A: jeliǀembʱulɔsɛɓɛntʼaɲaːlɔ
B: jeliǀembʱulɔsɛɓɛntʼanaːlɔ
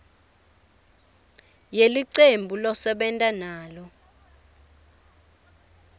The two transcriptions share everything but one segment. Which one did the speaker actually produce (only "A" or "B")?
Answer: B